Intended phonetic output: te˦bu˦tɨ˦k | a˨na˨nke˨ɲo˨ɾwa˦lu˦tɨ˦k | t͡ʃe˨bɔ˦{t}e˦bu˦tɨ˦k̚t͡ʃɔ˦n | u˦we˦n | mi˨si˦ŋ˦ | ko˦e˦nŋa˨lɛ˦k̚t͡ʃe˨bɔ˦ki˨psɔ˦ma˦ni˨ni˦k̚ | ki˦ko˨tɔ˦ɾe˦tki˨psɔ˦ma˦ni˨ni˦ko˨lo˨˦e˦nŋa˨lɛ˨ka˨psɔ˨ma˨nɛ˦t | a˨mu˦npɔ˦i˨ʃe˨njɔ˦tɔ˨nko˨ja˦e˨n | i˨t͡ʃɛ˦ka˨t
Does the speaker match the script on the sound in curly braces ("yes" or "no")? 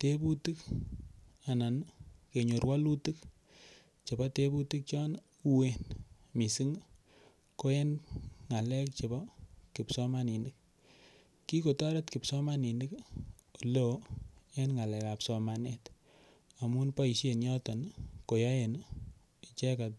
yes